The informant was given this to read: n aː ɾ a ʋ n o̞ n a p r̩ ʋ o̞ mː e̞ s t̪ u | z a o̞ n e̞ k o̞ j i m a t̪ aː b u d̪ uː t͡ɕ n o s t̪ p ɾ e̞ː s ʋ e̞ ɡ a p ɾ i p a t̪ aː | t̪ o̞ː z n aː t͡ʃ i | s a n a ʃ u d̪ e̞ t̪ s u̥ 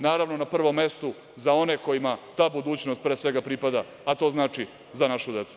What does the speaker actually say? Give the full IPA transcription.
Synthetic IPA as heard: n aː ɾ a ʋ n o̞ n a p r̩ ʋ o̞ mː e̞ s t̪ u | z a o̞ n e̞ k o̞ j i m a t̪ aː b u d̪ uː t͡ɕ n o s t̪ p ɾ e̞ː s ʋ e̞ ɡ a p ɾ i p a d̪ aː | t̪ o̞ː z n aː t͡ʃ i | z a n a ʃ u d̪ e̞ t̪ s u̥